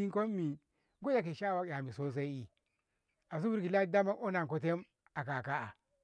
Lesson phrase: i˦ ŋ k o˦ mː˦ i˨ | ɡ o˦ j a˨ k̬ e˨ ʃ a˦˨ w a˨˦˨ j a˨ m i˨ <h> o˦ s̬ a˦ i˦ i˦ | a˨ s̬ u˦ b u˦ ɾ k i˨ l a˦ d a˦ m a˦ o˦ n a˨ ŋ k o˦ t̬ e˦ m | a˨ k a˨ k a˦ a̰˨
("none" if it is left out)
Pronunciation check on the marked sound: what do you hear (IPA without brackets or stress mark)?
s